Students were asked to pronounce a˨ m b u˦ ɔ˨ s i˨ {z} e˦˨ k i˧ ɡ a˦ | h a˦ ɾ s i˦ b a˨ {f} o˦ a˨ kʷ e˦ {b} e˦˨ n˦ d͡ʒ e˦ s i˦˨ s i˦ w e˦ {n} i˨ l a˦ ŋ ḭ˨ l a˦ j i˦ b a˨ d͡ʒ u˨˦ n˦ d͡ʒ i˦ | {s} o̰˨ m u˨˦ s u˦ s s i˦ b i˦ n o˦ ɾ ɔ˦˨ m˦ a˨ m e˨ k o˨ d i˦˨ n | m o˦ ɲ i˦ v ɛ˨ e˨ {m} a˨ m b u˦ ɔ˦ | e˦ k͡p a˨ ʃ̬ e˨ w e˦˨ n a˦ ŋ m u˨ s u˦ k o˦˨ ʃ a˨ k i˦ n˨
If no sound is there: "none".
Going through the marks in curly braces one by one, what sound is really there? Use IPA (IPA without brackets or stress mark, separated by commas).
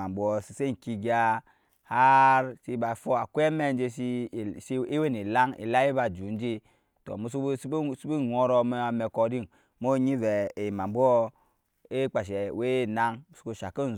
s, f, m, n, t, m